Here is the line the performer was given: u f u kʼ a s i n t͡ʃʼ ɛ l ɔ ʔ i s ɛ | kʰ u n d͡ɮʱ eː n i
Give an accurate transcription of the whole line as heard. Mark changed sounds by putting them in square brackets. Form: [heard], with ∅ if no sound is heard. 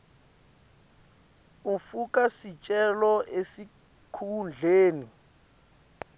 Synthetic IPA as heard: u f u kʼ a s i [∅] t͡ʃʼ ɛ l ɔ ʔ [e] s [i] | kʰ u n d͡ɮʱ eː n i